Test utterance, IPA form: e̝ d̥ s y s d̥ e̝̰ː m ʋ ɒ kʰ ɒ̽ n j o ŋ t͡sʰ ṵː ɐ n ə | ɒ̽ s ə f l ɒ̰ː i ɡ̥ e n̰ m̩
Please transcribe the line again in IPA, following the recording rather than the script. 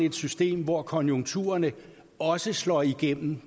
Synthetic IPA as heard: e̝ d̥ s y s d̥ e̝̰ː m ʋ ɒ kʰ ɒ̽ n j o ŋ t͡sʰ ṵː ɐ n ə | ɒ̽ s ə s l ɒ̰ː i ɡ̥ e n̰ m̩